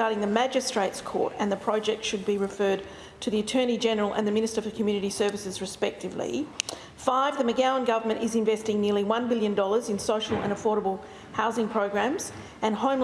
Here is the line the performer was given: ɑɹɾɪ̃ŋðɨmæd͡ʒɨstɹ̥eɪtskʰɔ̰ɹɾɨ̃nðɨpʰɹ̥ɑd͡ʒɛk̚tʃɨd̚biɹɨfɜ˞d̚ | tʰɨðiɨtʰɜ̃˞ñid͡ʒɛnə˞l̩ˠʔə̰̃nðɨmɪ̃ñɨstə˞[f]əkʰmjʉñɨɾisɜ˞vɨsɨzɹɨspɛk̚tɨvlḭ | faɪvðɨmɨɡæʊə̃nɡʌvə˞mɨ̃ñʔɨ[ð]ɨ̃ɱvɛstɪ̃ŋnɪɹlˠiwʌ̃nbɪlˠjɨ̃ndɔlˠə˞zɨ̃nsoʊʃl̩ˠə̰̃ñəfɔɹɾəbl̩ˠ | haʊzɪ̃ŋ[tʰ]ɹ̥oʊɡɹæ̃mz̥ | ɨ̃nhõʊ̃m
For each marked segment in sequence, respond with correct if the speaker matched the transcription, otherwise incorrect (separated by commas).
correct, incorrect, incorrect